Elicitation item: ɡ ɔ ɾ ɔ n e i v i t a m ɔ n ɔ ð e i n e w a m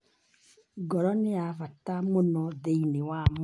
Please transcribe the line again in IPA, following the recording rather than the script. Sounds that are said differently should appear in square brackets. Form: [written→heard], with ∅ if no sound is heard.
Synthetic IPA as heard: ɡ ɔ ɾ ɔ n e [i→a] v [i→a] t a m [ɔ→o] n ɔ ð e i n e w a m